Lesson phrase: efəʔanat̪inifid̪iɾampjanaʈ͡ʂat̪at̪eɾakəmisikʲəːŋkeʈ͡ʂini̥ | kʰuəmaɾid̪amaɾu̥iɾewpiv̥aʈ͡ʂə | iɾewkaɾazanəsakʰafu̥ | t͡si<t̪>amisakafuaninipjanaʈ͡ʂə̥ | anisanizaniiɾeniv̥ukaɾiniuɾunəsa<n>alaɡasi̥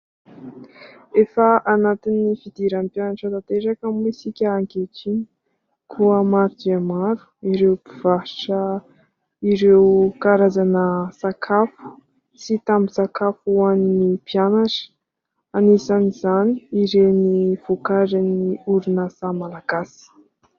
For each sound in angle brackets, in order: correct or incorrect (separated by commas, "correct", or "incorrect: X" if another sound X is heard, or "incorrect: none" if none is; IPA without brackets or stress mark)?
correct, incorrect: m